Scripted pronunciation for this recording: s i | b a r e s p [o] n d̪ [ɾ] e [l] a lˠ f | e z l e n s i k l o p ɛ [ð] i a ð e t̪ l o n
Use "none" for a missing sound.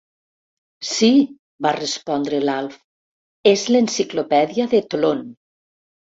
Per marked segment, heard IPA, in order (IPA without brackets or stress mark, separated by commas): ɔ, ɾ, l, ð